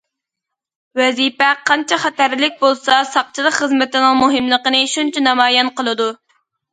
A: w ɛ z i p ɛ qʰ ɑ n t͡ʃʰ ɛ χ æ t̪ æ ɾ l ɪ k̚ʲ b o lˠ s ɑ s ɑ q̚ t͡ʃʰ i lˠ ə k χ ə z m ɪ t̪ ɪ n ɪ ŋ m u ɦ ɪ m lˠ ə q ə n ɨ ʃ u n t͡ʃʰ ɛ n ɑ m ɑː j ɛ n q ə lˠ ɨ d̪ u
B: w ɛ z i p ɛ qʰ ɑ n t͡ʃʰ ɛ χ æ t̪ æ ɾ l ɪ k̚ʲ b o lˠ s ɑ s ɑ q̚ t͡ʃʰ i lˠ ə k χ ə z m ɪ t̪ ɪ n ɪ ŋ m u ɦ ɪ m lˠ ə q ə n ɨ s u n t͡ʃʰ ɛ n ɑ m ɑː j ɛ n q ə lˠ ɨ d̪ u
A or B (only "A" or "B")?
A